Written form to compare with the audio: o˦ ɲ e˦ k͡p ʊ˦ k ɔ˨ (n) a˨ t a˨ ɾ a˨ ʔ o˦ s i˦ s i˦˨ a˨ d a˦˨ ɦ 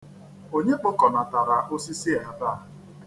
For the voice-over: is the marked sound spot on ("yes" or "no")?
yes